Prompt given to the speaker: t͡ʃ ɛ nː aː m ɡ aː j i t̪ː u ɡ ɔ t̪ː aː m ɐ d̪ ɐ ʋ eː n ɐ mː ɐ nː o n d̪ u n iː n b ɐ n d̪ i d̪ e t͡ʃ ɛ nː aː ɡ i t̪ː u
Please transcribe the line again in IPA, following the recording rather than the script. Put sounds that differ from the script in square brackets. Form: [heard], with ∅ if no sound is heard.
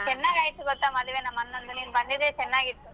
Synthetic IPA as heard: t͡ʃ ɛ nː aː [∅] ɡ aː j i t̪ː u ɡ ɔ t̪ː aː m ɐ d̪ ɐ ʋ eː n ɐ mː ɐ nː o n d̪ u n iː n b ɐ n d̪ i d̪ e t͡ʃ ɛ nː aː ɡ i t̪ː u